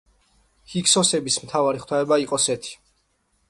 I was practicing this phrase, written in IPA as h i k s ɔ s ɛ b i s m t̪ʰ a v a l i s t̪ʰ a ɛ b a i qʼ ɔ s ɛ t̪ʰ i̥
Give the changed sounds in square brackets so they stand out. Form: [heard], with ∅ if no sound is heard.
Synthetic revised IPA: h i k s ɔ s ɛ b i s m t̪ʰ a v a [ɾ] i [χ] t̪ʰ a ɛ b a i qʼ ɔ s ɛ t̪ʰ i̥